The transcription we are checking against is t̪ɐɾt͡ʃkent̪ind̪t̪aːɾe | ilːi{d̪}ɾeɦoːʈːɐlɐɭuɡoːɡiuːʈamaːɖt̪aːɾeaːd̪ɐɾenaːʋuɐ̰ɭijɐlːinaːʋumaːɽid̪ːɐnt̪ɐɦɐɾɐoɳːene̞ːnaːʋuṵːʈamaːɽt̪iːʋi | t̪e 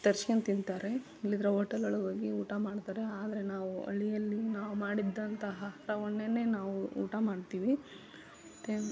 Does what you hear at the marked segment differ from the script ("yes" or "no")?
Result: no